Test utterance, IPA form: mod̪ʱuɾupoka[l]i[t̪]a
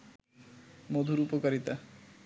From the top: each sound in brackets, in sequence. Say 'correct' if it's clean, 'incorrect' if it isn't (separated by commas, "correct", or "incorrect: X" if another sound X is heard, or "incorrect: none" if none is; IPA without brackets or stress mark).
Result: incorrect: ɾ, correct